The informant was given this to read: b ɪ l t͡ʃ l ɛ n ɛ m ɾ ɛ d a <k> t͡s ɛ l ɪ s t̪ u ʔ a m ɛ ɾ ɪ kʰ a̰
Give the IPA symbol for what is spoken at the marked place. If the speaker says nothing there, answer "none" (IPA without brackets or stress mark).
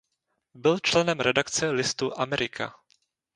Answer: k